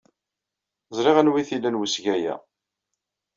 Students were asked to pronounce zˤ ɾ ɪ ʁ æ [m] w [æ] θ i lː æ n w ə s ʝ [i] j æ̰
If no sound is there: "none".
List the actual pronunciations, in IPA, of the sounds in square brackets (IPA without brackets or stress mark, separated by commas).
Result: n, i, æ